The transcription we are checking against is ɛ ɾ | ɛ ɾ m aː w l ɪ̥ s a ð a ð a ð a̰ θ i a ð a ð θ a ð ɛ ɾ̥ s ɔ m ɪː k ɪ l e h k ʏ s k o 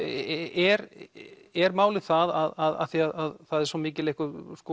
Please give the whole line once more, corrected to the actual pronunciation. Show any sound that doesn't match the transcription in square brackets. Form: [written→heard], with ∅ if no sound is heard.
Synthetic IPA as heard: ɛ ɾ | ɛ ɾ m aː w l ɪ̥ [s→θ] a ð a ð a ð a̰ θ i a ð a ð θ a ð ɛ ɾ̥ s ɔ m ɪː [k→c] ɪ l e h k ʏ s k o